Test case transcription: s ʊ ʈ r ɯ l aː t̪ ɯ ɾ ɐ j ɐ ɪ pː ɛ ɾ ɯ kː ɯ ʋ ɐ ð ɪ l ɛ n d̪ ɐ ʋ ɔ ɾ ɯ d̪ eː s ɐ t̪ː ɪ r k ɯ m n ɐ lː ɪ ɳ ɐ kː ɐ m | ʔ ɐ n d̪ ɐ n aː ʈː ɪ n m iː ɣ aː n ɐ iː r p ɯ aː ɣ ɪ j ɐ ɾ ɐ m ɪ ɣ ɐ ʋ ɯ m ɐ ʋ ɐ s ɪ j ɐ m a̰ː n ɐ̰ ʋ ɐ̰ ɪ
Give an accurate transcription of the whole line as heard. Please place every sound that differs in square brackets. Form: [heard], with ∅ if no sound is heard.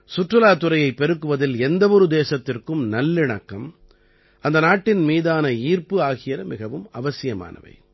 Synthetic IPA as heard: s ʊ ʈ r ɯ l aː t̪ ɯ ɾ ɐ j ɐ ɪ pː ɛ ɾ ɯ kː ɯ ʋ ɐ ð ɪ l ɛ n d̪ ɐ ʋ ɔ ɾ ɯ d̪ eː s ɐ t̪ː ɪ r k ɯ m n ɐ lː ɪ ɳ ɐ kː ɐ m | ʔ ɐ n d̪ ɐ n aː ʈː ɪ n m iː [ð] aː n ɐ iː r p ɯ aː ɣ ɪ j ɐ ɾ ɐ m ɪ ɣ ɐ ʋ ɯ m ɐ ʋ ɐ s ɪ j ɐ m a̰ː n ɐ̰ ʋ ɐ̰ ɪ